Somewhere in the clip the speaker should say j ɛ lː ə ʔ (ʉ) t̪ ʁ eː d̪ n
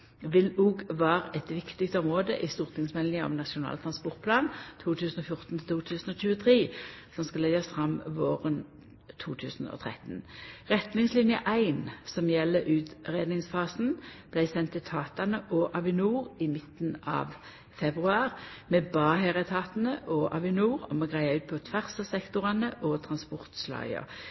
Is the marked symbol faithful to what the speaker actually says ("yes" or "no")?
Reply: no